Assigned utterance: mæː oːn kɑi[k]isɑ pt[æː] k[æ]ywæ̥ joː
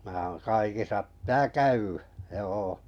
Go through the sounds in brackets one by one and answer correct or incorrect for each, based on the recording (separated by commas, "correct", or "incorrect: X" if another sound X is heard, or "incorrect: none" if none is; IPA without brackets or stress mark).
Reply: correct, correct, correct